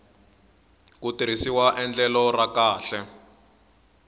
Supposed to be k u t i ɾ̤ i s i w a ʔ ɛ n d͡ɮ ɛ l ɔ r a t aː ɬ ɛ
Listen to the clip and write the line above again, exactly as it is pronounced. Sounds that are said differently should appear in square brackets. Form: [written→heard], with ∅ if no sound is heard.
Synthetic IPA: k u t i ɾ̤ i s i w a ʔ ɛ n d͡ɮ ɛ l ɔ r a [t→k] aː ɬ ɛ